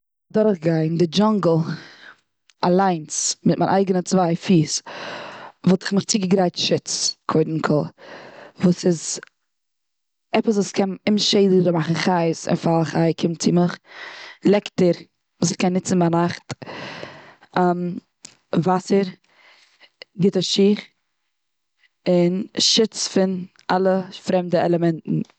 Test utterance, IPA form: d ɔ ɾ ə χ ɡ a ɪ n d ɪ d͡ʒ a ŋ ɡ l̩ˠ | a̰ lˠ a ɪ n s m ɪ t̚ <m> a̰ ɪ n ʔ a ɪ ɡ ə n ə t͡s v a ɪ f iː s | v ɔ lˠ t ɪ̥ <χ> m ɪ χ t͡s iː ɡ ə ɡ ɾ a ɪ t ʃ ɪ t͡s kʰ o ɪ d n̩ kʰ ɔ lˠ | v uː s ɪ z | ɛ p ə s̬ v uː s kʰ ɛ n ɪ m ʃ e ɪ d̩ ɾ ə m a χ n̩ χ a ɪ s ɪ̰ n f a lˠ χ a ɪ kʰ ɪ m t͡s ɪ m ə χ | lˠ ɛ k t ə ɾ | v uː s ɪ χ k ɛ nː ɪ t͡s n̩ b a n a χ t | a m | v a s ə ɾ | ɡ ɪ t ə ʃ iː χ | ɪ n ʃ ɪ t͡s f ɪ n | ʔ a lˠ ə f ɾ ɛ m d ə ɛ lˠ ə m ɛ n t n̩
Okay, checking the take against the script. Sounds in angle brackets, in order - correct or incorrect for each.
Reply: correct, correct

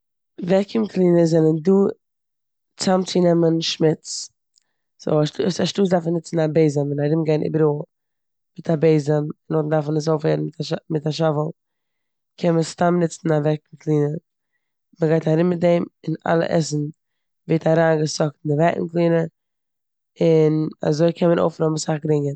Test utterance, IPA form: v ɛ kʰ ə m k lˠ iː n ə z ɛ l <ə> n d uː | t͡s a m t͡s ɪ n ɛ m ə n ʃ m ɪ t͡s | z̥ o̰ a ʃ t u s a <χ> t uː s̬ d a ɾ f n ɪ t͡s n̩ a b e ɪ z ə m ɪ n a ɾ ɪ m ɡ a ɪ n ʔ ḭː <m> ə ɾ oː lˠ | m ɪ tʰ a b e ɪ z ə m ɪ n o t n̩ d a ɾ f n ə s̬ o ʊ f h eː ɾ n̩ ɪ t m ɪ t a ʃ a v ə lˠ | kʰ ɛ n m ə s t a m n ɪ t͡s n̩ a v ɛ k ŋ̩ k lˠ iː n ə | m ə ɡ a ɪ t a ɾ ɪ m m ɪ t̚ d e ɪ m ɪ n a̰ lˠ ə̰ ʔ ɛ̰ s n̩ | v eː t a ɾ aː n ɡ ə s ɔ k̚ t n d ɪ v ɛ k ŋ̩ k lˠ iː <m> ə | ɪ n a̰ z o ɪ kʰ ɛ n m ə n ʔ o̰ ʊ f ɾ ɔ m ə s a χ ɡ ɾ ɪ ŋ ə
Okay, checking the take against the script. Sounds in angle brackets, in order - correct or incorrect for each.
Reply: correct, incorrect: ʃ, incorrect: b, incorrect: n

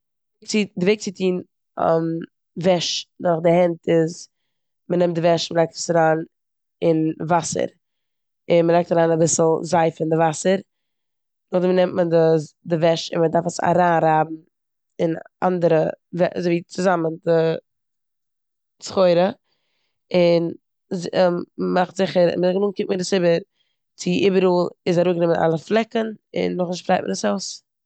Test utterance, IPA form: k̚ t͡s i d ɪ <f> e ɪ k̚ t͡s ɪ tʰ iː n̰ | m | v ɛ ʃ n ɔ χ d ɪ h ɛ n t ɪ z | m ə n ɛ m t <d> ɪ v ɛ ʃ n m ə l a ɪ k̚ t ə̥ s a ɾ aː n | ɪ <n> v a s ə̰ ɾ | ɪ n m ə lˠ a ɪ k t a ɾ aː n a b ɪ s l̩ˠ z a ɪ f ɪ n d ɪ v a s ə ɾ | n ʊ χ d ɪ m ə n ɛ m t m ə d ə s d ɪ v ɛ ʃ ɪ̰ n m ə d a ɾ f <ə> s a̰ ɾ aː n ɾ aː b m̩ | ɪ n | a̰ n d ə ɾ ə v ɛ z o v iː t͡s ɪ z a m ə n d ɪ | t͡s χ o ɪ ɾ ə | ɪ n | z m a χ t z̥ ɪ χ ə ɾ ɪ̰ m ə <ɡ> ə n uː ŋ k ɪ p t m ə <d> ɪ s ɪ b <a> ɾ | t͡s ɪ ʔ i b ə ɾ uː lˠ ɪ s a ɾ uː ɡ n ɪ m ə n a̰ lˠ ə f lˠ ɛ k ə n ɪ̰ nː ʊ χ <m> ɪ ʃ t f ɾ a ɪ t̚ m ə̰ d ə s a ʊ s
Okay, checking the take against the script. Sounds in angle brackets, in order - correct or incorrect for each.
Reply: incorrect: v, correct, correct, correct, correct, correct, incorrect: ə, incorrect: n

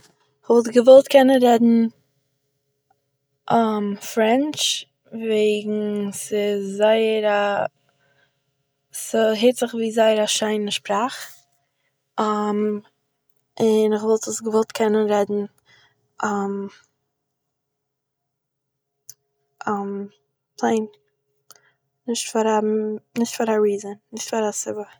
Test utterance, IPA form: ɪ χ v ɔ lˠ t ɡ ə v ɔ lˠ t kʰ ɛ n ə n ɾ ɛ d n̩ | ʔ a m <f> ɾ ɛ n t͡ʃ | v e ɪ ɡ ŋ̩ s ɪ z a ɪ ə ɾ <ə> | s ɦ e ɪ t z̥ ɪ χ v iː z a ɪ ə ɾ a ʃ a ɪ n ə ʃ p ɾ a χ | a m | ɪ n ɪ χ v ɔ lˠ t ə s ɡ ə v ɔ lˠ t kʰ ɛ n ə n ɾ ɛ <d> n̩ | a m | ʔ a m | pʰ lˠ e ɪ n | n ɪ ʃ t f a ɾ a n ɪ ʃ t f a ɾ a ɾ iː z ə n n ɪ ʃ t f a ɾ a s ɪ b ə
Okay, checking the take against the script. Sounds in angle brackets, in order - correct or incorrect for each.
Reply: correct, incorrect: a, correct

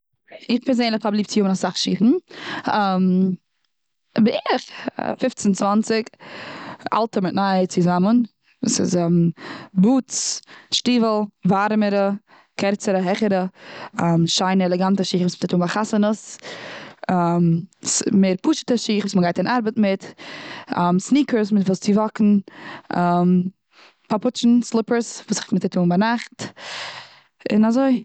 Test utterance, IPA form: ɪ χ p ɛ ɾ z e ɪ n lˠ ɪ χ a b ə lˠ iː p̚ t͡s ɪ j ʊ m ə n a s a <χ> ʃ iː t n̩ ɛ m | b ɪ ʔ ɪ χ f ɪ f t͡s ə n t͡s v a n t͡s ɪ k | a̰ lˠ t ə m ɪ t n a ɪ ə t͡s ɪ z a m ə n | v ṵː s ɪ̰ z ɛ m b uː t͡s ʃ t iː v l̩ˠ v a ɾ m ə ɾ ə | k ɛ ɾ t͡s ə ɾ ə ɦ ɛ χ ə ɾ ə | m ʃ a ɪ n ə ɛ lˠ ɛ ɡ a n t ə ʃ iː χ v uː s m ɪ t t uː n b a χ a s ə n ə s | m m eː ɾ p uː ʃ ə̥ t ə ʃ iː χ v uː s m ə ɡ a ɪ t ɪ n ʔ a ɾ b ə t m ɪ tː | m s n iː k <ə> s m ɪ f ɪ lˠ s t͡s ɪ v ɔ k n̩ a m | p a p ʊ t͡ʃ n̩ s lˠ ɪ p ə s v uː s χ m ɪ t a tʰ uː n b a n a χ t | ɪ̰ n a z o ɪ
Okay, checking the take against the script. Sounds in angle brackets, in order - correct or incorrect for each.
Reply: correct, correct

